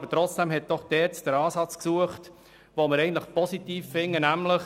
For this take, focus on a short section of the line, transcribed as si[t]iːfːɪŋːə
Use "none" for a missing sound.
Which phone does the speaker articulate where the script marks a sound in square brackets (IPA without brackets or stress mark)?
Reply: t